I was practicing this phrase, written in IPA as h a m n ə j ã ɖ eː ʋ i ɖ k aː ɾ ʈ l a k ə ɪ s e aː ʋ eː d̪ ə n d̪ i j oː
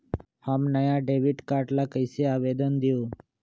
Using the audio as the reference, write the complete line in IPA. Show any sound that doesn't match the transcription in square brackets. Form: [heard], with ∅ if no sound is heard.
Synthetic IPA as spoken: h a m n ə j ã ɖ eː ʋ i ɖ k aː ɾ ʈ l a k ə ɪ s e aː ʋ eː d̪ ə n d̪ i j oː